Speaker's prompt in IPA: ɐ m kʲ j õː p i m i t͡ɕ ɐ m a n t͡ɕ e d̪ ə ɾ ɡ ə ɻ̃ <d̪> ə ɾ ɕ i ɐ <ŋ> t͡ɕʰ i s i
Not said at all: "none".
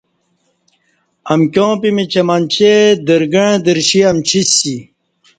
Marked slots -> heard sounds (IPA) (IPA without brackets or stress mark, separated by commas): d̪, m